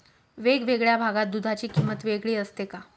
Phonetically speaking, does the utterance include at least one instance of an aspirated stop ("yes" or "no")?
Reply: no